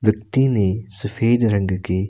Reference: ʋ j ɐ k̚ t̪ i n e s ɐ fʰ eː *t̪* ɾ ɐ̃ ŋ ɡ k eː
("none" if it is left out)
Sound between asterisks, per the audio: d̪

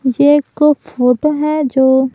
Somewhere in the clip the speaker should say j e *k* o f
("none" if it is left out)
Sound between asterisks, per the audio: k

